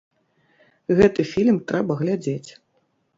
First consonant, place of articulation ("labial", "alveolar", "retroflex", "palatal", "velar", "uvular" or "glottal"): velar